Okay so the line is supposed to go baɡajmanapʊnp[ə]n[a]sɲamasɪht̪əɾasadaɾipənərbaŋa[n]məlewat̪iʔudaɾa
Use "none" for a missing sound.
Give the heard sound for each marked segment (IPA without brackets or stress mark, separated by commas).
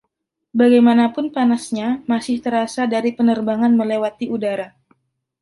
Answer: a, a, n